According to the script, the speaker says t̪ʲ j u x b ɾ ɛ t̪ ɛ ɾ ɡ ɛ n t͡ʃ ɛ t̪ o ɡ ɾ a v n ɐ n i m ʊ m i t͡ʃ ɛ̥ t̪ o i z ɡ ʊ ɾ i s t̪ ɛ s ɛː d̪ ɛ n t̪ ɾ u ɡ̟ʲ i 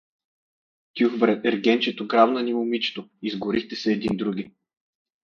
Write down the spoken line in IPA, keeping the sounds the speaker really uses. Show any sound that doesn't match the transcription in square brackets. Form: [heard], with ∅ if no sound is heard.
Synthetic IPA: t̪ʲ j u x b ɾ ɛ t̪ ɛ ɾ ɡ ɛ n t͡ʃ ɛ t̪ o ɡ ɾ a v n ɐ n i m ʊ m i t͡ʃ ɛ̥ t̪ o i z ɡ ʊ ɾ i [x] t̪ ɛ s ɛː d̪ [i] n [d̪] ɾ u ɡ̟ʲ i